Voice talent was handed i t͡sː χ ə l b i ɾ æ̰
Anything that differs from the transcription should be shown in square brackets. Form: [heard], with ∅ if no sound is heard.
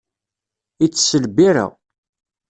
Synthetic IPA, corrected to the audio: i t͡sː [s] ə l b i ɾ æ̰